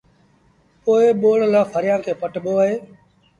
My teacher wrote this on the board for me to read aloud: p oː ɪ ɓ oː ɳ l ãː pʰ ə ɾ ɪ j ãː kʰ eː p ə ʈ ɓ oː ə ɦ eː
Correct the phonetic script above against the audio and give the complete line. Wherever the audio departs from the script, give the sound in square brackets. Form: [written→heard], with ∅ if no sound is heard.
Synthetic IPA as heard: p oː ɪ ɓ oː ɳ l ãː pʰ ə ɾ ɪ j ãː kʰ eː p ə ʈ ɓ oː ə ɦ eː